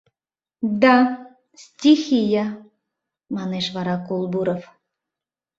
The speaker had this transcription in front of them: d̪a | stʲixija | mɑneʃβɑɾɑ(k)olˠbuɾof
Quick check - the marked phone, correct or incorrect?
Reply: correct